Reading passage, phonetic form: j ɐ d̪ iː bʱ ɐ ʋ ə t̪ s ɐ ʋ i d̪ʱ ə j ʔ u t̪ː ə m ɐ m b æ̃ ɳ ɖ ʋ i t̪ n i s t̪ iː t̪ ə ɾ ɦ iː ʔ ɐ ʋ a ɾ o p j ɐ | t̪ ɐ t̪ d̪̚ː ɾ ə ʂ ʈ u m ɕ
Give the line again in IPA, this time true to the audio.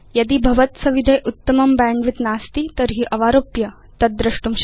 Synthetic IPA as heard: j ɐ d̪ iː bʱ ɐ ʋ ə t̪ s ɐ ʋ i d̪ʱ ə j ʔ u t̪ː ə m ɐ m b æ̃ ɳ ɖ ʋ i t̪ n a s t̪ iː t̪ ə ɾ ɦ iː ʔ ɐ ʋ a ɾ o p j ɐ | t̪ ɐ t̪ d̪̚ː ɾ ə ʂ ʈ u m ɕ